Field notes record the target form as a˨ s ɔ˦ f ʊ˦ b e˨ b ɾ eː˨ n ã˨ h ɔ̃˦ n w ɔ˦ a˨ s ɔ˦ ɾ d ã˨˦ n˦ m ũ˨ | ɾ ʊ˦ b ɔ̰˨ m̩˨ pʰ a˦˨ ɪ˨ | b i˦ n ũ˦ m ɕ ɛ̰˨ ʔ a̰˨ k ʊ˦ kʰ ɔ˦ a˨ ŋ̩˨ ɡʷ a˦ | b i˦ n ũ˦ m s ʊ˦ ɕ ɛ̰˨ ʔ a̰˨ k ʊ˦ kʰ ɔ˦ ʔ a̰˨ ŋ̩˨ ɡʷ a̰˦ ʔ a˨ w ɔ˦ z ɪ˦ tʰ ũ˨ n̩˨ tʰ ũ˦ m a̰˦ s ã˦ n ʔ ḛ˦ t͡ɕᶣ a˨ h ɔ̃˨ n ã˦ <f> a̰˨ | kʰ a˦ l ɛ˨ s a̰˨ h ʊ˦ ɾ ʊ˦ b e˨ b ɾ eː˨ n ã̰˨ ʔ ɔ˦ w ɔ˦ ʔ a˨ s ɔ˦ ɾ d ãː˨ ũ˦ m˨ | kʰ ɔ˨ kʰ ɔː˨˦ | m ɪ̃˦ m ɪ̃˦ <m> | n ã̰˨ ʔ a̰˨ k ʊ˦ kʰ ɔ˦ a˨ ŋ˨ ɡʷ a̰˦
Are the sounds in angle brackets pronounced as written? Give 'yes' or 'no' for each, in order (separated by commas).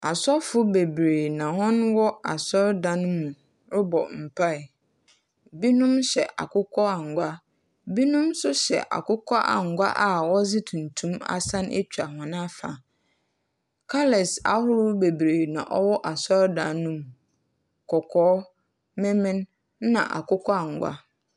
yes, no